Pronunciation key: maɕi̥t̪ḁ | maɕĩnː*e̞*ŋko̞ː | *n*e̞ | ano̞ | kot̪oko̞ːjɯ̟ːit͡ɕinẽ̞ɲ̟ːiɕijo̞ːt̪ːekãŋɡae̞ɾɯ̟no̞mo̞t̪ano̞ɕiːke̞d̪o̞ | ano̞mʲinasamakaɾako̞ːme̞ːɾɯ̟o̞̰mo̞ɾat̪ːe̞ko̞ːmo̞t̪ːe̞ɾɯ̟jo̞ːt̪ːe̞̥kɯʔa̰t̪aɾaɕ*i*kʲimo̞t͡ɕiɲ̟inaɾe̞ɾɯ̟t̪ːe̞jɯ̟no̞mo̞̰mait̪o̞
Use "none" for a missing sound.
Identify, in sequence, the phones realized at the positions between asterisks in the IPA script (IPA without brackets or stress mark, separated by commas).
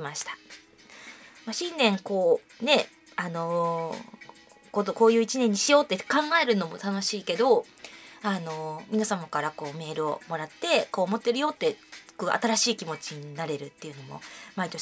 ẽ̞, n, iː